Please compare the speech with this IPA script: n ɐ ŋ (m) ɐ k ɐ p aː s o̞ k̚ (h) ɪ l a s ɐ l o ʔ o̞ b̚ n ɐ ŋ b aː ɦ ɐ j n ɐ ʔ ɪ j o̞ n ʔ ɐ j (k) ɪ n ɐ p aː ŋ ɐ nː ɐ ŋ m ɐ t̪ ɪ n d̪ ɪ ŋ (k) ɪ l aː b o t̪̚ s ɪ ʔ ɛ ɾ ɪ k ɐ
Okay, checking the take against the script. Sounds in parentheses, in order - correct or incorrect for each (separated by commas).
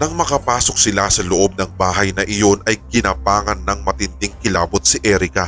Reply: correct, incorrect, correct, correct